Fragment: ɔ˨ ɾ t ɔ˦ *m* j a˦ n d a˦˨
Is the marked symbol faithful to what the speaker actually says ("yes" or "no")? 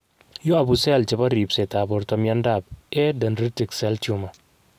yes